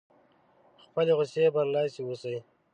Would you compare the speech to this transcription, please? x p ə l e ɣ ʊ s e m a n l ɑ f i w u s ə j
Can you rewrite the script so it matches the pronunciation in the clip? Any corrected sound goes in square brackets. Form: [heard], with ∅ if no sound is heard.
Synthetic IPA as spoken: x p ə l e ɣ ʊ s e [b] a n l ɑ [s] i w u s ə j